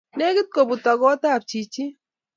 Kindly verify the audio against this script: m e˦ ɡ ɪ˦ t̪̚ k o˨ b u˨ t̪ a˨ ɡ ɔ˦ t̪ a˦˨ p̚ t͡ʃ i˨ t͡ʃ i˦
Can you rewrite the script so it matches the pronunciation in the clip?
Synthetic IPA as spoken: n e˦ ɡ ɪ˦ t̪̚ k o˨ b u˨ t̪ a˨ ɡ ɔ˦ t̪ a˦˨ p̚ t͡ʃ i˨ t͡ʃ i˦